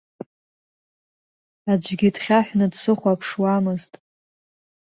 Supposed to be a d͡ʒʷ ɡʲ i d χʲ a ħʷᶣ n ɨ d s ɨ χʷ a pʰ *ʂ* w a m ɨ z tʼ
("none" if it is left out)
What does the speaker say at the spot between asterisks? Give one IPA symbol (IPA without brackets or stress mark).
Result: ʂ